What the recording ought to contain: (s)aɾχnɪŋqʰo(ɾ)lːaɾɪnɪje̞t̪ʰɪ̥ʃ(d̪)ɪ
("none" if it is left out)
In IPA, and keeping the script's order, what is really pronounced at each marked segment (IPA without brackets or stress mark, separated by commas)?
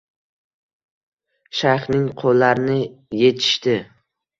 ʃ, none, t̪